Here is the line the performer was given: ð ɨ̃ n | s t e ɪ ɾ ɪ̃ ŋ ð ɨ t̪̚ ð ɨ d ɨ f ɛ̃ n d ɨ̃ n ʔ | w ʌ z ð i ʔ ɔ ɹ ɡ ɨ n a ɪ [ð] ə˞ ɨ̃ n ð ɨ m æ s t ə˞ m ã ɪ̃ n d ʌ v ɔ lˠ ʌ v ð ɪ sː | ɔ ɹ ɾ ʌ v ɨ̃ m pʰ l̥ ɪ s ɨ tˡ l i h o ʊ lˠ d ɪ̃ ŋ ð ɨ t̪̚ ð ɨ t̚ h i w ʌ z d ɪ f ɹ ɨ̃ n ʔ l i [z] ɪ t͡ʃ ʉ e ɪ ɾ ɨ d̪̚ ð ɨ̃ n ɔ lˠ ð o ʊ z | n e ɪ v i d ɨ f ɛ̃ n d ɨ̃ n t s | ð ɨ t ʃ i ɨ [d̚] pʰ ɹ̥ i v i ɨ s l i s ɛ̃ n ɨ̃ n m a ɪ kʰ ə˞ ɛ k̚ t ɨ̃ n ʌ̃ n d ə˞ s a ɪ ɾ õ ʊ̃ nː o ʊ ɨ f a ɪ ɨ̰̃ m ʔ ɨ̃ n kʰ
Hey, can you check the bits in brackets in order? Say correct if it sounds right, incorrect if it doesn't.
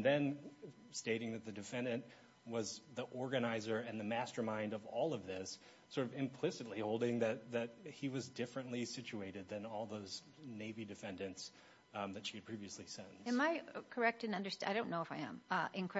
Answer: incorrect: z, incorrect: s, correct

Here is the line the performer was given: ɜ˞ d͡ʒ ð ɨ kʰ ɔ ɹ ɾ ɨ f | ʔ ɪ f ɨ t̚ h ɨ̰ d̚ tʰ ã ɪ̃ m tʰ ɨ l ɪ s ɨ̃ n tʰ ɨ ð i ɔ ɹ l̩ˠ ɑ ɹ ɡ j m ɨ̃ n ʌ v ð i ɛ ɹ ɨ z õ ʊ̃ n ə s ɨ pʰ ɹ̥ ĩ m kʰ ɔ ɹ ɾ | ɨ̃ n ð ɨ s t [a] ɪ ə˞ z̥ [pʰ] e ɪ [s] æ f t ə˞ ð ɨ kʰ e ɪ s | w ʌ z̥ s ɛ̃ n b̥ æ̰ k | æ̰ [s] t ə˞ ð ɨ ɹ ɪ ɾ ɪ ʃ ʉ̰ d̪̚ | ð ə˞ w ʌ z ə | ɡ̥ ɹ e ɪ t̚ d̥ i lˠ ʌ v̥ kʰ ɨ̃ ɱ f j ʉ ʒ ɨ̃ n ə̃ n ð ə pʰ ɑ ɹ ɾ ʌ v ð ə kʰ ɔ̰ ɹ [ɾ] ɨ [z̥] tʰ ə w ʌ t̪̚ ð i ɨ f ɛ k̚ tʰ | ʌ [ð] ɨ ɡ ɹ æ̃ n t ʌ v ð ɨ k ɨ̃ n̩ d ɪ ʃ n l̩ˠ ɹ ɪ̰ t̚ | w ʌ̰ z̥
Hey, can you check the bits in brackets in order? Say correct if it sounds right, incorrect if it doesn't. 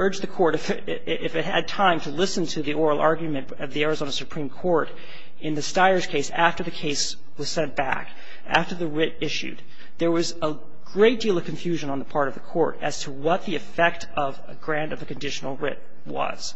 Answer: correct, incorrect: kʰ, correct, incorrect: f, correct, correct, incorrect: v

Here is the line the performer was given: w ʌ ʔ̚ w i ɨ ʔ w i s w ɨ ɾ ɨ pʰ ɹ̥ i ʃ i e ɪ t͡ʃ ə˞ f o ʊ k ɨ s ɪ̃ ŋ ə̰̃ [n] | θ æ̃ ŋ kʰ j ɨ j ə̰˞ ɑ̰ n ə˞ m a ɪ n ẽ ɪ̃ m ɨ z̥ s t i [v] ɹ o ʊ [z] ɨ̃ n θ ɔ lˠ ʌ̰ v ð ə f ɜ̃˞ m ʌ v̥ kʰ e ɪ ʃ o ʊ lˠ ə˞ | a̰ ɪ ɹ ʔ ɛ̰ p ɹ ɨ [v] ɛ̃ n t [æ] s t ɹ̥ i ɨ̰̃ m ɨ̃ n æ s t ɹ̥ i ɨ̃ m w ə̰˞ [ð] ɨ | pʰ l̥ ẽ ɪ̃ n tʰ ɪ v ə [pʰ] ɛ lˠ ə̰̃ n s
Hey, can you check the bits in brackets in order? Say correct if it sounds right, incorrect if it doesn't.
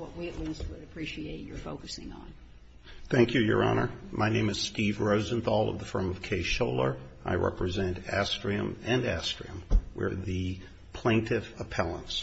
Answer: correct, correct, correct, incorrect: z, correct, correct, correct

